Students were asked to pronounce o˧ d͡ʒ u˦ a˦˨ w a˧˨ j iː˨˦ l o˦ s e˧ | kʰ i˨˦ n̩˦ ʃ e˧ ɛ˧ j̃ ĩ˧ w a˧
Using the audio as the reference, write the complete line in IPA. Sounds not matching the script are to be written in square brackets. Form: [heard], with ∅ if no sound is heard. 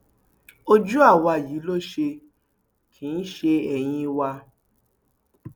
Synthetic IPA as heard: o˧ d͡ʒ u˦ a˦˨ w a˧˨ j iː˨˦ l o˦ [ʃ] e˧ | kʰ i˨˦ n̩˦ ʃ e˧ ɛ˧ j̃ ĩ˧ w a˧